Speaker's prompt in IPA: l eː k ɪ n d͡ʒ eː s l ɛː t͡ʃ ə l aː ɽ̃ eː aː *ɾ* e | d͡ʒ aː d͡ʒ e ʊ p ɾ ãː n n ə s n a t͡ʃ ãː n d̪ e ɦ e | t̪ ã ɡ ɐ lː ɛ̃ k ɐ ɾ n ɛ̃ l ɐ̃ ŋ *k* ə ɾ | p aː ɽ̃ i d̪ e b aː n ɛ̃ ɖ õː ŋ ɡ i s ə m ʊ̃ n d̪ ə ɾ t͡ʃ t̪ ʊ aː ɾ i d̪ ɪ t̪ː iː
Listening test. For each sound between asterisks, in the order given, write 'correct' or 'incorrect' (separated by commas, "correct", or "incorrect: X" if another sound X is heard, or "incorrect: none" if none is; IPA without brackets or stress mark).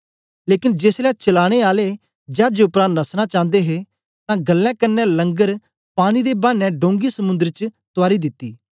incorrect: l, incorrect: ɡ